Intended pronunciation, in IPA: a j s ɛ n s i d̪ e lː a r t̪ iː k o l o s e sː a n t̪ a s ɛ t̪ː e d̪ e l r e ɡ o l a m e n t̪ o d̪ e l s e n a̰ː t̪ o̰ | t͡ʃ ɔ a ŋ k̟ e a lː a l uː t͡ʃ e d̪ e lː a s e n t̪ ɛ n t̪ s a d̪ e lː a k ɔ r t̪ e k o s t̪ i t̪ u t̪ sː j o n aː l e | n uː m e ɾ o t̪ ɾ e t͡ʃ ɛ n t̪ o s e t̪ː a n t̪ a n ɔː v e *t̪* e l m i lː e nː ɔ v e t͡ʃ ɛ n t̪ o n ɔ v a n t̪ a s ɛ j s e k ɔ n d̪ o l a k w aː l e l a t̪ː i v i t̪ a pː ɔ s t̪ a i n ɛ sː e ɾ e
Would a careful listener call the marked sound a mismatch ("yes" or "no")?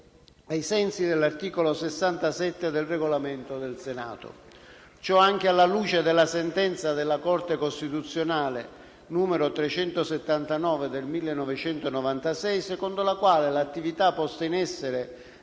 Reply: yes